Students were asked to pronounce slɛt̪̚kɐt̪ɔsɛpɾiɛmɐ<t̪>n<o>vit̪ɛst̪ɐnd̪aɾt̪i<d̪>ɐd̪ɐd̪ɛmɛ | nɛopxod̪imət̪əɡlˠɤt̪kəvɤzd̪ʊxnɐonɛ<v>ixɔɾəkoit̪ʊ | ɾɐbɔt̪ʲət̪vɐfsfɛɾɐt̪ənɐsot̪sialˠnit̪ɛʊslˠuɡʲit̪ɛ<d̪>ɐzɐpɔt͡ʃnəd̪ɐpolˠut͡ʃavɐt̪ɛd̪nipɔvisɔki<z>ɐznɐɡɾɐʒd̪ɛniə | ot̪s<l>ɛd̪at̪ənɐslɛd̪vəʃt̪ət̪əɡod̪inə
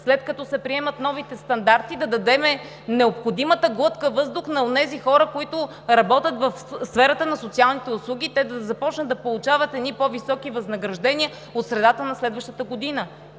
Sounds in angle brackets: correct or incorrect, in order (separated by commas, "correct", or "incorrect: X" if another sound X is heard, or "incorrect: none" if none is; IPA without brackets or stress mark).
correct, incorrect: ɔ, correct, incorrect: z, correct, incorrect: v, incorrect: ɾ